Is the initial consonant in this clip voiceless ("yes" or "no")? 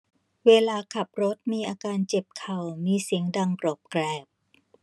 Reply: no